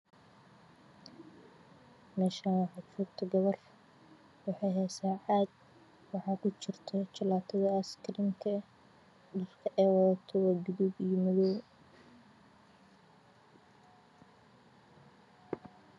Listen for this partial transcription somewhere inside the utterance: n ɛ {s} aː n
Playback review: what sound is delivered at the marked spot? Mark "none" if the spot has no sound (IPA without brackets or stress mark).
ʃ